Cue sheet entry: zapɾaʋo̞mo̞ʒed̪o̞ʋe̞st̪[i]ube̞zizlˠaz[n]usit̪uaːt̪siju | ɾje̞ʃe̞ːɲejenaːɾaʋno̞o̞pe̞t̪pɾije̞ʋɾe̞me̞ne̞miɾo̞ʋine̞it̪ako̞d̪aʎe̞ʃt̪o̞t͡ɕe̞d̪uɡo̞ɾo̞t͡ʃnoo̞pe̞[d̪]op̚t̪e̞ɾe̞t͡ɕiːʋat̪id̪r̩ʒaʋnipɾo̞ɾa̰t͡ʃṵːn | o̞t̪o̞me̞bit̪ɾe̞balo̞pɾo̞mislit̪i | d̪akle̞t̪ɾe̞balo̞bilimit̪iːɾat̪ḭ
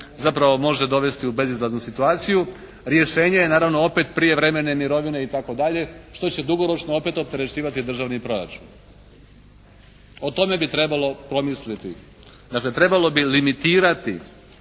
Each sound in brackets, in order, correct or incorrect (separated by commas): correct, correct, incorrect